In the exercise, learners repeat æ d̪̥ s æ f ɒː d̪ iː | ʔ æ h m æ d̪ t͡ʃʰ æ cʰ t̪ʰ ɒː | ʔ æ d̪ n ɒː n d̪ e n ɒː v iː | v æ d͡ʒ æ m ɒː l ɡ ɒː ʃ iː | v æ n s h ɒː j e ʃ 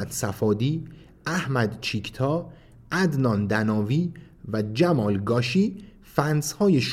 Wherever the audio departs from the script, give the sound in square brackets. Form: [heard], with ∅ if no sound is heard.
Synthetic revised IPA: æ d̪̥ s æ f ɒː d̪ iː | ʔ æ h m æ d̪ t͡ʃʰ [i] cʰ t̪ʰ ɒː | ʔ æ d̪ n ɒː n d̪ [æ] n ɒː v iː | v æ d͡ʒ æ m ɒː l ɡ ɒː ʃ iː | [f] æ n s h ɒː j e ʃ